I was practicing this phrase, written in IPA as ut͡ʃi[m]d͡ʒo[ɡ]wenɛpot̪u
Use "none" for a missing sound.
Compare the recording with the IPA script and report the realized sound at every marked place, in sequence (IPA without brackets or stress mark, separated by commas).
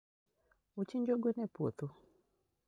ɲ, ɡ